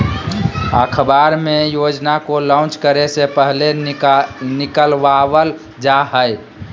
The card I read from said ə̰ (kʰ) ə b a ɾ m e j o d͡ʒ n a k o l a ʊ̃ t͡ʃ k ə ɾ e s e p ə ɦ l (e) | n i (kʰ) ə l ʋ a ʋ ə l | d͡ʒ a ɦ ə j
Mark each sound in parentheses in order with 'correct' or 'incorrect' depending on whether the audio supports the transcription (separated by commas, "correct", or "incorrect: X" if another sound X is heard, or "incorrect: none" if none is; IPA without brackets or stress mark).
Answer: correct, correct, incorrect: k